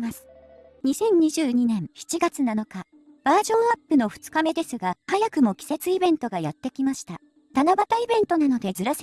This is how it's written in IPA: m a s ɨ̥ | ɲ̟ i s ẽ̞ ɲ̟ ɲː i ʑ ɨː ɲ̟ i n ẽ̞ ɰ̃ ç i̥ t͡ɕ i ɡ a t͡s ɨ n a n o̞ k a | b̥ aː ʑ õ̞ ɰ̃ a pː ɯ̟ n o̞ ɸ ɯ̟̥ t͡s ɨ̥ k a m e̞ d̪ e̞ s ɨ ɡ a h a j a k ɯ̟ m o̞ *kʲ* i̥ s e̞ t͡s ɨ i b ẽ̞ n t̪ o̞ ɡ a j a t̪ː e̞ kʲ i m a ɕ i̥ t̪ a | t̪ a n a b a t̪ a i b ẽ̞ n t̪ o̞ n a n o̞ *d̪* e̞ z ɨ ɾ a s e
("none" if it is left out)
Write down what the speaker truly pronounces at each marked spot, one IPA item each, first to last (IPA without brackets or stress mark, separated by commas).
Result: kʲ, d̪